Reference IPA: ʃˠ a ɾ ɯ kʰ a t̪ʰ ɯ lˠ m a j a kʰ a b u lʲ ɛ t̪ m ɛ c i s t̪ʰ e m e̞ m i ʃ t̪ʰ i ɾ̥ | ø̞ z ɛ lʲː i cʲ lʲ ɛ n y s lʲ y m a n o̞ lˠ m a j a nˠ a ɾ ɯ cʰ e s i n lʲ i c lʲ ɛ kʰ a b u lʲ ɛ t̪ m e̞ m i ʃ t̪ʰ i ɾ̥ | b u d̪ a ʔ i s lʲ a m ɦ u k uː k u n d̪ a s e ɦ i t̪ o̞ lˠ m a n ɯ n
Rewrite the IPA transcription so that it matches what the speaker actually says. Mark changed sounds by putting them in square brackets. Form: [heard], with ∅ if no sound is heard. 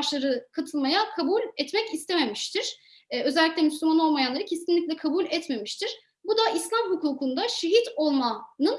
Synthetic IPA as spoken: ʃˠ a ɾ ɯ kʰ a t̪ʰ ɯ lˠ m a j a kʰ a b u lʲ ɛ t̪ m ɛ c i s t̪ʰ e m e̞ m i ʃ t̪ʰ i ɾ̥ | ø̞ z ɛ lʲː i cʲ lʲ ɛ [m] y s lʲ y m a n o̞ lˠ m a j a nˠ a ɾ ɯ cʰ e s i n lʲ i c lʲ ɛ kʰ a b u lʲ ɛ t̪ m e̞ m i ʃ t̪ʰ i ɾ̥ | b u d̪ a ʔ i s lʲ a m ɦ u k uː k u n d̪ a [ʃ] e ɦ i t̪ o̞ lˠ m a n ɯ n